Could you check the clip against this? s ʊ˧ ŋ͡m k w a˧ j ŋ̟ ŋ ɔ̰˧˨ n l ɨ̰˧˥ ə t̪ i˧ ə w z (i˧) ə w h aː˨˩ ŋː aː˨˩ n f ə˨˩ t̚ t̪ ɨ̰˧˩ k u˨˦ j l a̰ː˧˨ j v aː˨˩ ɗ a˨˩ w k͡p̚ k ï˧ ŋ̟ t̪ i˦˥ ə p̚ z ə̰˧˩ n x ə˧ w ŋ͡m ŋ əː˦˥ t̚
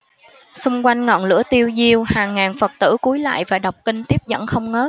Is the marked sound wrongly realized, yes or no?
no